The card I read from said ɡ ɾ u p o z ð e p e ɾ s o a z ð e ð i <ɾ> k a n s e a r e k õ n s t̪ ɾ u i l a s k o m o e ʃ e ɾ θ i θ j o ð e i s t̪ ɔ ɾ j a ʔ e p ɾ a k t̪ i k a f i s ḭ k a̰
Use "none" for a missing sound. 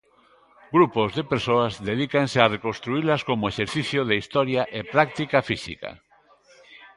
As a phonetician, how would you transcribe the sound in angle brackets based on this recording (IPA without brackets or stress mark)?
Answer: none